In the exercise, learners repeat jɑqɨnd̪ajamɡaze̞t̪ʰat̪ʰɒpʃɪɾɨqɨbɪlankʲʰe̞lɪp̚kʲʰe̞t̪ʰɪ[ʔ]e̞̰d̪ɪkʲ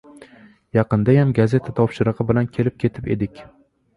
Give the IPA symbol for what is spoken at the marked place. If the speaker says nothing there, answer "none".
p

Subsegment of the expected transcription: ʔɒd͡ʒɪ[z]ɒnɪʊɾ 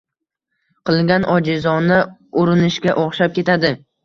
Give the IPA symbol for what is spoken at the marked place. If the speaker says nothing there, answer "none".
z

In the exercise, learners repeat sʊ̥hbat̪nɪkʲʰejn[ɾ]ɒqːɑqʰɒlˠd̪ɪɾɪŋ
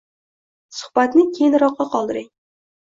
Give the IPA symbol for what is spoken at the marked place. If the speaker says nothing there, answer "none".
ɾ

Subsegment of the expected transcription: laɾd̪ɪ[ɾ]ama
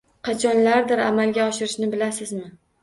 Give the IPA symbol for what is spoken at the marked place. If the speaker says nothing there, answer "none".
ɾ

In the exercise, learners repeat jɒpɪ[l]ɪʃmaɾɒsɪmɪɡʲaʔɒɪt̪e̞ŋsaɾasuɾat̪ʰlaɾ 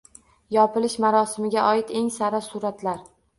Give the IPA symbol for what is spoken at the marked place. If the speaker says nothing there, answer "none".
l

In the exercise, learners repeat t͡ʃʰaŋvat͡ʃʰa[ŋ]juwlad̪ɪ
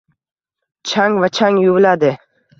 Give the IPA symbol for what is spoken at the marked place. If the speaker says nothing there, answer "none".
ŋ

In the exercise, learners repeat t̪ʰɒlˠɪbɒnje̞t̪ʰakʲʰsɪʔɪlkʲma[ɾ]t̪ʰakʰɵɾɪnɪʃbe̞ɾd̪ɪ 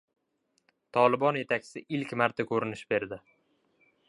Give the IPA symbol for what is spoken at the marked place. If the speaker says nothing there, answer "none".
ɾ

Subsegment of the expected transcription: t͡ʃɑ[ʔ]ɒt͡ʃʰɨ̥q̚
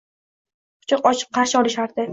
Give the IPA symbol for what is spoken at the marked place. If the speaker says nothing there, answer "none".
q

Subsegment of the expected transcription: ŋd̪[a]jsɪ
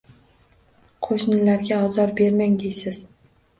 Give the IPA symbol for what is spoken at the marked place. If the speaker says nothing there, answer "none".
e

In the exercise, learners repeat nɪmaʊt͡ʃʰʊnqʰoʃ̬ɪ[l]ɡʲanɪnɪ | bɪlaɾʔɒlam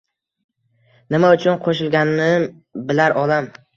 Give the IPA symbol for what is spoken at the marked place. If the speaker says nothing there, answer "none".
l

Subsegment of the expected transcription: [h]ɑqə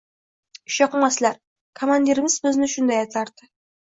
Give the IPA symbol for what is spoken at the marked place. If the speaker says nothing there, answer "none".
ʃ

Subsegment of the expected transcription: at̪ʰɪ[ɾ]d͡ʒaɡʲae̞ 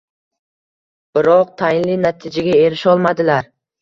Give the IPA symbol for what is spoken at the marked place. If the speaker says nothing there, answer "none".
none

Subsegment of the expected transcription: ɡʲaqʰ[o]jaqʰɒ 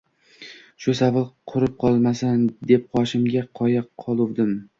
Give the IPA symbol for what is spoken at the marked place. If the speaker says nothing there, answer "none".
ɒ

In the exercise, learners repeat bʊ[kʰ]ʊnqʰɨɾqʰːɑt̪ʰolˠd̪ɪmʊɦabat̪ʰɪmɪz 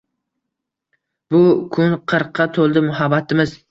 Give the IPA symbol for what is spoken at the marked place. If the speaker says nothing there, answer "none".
kʰ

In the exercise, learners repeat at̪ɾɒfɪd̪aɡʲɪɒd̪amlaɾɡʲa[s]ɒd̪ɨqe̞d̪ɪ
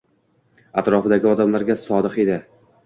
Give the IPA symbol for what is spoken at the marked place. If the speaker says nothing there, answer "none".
s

